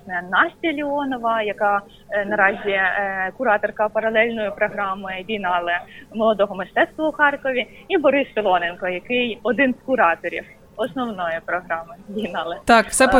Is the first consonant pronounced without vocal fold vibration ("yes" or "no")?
no